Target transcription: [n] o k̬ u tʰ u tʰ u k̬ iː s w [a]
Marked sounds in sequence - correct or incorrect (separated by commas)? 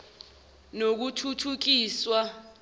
correct, correct